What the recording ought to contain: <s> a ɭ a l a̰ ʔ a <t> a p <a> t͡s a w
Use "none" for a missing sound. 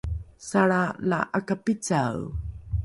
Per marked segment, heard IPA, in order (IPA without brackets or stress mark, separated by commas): s, k, i